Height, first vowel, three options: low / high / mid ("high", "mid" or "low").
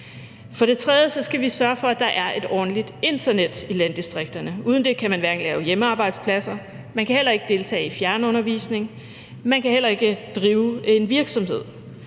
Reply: low